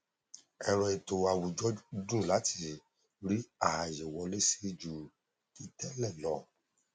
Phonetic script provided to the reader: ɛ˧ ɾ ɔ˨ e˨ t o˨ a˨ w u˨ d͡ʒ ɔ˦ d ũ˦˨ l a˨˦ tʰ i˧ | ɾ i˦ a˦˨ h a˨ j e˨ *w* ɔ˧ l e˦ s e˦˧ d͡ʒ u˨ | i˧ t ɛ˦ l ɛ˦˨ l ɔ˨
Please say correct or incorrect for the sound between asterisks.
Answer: correct